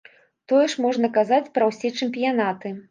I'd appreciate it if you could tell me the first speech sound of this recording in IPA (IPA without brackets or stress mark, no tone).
t̪